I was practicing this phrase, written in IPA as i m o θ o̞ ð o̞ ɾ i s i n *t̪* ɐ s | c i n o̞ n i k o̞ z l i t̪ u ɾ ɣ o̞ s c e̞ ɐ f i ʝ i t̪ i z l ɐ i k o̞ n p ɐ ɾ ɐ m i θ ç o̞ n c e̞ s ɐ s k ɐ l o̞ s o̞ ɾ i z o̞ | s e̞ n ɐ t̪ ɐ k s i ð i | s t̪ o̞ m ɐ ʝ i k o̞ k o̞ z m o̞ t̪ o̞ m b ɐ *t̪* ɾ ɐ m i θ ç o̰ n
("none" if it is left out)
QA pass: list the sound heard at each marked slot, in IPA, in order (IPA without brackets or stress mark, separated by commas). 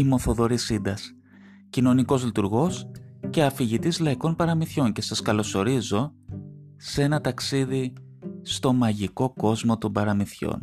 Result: d̪, none